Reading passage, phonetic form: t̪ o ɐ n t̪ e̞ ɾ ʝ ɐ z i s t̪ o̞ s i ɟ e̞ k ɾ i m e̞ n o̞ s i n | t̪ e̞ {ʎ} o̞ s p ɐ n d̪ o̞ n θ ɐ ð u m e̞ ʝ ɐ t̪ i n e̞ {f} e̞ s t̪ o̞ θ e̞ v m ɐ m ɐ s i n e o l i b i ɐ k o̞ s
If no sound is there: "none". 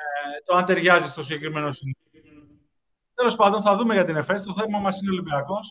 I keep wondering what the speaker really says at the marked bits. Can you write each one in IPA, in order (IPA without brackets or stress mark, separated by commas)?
l, f